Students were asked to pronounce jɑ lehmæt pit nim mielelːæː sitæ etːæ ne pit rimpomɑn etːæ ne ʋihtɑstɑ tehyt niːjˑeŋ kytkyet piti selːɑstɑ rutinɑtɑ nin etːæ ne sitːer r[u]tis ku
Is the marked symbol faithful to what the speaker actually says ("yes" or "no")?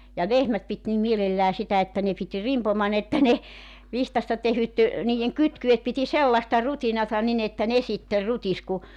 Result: yes